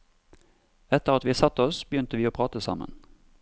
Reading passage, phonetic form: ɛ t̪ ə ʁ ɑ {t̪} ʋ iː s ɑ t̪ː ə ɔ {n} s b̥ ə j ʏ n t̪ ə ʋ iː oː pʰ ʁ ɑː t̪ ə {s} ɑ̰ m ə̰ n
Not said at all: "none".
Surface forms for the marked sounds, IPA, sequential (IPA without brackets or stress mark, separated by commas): t̪, none, s